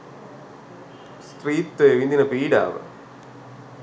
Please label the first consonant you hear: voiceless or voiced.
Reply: voiceless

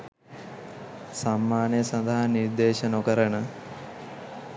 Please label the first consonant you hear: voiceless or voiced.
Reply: voiceless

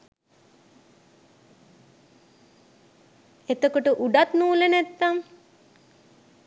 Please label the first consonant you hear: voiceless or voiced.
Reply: voiceless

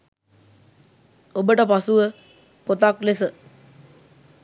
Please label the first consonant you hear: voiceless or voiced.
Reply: voiced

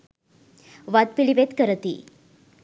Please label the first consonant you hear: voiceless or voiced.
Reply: voiced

